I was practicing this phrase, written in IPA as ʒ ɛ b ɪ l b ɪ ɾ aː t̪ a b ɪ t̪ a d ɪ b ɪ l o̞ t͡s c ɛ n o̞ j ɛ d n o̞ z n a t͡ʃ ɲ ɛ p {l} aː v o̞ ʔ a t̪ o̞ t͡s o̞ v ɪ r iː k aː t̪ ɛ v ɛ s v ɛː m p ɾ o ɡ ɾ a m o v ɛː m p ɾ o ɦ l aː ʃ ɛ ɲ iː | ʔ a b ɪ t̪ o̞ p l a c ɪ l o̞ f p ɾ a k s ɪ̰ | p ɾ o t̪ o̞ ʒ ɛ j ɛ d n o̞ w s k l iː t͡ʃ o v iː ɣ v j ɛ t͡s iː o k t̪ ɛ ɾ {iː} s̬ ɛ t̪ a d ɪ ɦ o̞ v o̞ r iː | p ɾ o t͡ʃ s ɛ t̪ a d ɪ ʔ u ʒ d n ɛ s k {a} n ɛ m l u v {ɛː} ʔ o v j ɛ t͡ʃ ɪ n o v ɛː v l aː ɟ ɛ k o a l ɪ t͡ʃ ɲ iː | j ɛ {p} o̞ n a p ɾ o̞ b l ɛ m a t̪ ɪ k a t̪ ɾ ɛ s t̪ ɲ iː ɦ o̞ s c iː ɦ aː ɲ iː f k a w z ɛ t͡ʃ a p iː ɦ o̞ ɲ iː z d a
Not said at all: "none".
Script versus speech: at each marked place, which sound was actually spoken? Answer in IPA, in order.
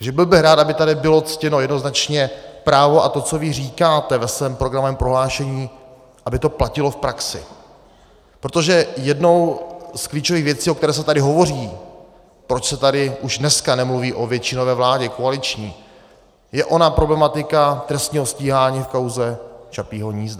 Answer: ɾ, ɛː, a, iː, ʔ

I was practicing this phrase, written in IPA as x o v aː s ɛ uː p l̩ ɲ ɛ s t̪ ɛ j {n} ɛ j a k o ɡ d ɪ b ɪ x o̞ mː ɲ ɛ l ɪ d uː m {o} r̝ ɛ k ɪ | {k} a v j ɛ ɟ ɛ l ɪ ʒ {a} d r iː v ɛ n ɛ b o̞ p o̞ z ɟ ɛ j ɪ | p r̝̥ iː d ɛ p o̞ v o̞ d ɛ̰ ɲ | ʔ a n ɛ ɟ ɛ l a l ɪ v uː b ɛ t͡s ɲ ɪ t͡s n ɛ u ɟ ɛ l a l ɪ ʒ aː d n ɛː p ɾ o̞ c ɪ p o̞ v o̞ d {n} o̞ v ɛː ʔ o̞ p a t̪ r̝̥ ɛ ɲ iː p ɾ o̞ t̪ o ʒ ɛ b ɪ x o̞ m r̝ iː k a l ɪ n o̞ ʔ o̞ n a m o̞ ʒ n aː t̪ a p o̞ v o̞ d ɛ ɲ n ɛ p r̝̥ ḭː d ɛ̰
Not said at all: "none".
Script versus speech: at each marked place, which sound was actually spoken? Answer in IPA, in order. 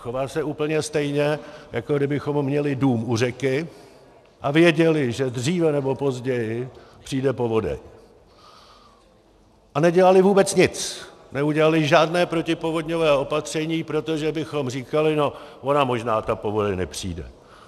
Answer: ɲ, u, ʔ, ɛ, ɲ

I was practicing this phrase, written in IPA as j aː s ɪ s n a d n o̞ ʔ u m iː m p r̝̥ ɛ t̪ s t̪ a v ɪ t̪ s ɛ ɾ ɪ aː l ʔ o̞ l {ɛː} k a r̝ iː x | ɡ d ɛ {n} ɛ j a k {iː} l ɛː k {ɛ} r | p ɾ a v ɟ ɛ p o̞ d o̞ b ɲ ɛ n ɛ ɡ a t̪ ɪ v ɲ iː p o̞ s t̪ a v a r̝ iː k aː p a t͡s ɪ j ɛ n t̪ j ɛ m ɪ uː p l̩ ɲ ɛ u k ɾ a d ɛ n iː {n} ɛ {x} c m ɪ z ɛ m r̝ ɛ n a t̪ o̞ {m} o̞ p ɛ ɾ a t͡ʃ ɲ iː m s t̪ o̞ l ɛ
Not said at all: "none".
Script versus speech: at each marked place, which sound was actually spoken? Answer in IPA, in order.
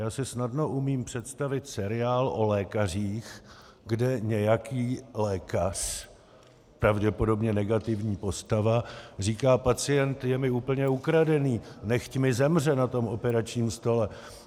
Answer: ɛː, ɲ, iː, a, n, x, m

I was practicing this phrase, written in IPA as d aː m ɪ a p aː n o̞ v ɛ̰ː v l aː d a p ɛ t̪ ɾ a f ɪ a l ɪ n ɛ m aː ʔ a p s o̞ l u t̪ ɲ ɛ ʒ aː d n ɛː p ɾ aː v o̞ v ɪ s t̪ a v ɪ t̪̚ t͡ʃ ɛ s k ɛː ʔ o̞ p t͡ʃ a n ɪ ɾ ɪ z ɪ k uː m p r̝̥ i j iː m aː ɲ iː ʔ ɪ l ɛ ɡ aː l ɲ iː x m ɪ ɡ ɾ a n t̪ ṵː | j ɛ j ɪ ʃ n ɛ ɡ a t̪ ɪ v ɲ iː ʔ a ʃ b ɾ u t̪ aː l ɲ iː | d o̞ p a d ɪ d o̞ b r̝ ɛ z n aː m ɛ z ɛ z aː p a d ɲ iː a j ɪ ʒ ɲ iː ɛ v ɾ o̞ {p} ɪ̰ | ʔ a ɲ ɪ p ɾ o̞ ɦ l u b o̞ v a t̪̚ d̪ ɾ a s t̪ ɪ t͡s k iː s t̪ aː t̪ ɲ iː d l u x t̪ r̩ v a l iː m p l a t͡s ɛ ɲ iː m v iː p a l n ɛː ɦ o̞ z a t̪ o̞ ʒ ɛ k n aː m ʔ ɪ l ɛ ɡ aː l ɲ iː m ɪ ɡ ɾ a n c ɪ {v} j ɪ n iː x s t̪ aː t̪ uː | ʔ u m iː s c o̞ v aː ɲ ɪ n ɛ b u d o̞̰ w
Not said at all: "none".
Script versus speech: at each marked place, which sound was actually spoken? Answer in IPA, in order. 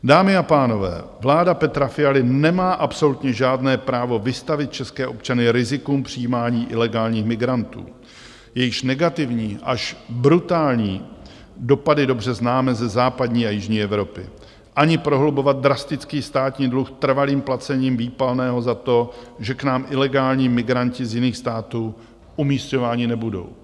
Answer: p, z

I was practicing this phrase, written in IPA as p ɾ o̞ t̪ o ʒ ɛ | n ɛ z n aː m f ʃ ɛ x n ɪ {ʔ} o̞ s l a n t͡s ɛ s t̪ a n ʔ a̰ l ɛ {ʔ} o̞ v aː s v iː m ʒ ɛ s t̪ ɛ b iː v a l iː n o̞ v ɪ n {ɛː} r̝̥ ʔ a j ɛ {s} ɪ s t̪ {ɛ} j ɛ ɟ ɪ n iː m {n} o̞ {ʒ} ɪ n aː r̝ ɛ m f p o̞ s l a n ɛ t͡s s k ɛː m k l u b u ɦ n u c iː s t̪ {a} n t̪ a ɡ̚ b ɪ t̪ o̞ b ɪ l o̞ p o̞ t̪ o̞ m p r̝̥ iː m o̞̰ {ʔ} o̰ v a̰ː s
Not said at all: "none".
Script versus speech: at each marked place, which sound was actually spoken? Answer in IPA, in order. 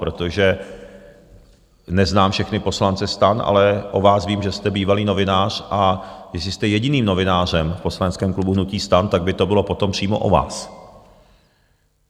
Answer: p, ʔ, aː, s, ɛ, n, v, a, ʔ

